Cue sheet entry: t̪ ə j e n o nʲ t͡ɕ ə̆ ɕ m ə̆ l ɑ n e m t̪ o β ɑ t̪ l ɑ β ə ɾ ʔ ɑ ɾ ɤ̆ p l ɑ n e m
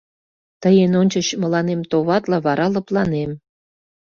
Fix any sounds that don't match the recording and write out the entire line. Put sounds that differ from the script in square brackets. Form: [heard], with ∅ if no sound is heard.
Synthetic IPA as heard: t̪ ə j e n o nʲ t͡ɕ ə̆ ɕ m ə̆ l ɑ n e m t̪ o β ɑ t̪ l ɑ β [ɑ] ɾ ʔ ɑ [l] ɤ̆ p l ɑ n e m